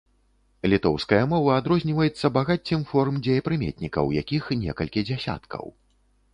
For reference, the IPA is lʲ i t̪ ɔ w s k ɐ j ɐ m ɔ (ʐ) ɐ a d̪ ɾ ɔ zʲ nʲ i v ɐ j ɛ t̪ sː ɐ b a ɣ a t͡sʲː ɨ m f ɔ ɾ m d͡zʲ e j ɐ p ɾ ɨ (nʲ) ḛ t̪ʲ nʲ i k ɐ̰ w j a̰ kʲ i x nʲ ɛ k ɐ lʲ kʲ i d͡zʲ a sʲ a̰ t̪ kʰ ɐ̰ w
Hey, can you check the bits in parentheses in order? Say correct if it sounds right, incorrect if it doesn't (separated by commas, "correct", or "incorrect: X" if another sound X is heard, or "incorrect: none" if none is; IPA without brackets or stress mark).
incorrect: v, incorrect: mʲ